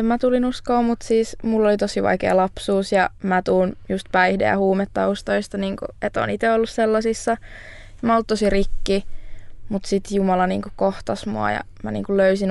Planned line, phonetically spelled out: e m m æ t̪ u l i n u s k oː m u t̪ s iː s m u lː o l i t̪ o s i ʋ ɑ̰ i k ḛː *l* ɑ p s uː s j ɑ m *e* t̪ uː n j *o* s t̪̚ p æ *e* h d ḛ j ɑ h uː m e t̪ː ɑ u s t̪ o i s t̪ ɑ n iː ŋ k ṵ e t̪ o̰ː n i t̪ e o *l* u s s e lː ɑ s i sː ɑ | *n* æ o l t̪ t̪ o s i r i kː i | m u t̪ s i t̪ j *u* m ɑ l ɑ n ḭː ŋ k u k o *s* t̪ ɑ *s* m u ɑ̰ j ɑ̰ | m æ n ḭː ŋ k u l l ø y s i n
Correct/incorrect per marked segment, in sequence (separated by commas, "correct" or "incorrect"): correct, incorrect, incorrect, incorrect, incorrect, incorrect, correct, incorrect, correct